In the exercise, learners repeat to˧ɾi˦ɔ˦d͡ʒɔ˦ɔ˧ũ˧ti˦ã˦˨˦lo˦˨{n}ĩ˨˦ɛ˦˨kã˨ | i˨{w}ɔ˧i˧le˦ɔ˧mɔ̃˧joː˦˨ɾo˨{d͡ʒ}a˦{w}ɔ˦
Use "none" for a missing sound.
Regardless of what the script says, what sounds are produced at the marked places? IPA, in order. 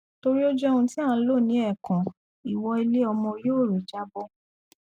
n, w, d͡ʒ, b

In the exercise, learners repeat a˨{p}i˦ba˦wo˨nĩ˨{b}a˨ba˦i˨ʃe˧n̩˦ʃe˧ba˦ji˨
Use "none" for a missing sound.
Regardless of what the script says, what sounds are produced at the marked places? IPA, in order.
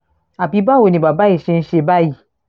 b, b

